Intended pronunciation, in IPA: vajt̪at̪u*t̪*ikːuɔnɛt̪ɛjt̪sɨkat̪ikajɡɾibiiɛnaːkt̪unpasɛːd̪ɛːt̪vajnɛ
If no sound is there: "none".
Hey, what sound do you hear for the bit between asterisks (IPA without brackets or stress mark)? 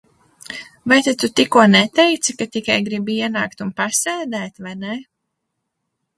t̪